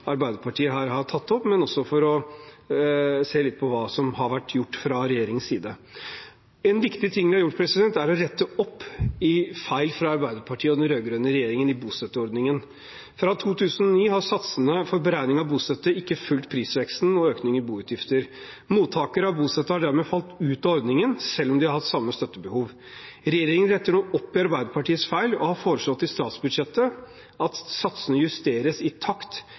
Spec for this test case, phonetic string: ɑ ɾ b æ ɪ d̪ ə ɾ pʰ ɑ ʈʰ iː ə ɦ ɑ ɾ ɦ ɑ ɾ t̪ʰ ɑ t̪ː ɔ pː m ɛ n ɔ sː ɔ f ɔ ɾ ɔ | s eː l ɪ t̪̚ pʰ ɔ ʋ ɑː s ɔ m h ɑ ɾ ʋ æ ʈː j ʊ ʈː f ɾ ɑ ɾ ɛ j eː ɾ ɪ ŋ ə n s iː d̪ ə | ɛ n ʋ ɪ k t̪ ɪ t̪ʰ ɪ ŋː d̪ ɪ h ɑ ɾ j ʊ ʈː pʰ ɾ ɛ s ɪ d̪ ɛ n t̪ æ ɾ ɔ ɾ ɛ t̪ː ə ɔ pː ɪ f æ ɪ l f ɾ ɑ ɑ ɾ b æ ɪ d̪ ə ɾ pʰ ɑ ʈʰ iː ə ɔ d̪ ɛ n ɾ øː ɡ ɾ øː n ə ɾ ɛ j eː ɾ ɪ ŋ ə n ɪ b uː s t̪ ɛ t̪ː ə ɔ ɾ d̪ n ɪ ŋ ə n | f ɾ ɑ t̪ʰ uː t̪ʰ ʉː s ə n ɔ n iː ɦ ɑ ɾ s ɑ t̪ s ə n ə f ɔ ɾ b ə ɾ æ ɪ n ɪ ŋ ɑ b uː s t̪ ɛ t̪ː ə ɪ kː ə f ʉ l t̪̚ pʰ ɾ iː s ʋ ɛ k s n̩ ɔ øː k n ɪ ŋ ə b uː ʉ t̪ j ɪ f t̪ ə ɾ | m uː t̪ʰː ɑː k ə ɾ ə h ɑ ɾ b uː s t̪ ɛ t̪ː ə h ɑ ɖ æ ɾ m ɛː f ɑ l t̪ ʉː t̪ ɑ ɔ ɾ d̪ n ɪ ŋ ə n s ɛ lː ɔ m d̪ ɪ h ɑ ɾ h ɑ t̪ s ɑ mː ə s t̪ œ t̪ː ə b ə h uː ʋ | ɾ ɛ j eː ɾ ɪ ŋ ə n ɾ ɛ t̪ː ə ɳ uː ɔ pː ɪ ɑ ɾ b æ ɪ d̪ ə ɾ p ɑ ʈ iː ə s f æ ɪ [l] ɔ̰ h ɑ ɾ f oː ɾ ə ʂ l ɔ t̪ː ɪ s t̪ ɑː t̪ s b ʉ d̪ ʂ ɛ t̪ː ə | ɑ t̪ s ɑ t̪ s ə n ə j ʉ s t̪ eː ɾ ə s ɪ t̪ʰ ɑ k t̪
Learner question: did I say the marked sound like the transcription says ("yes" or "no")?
yes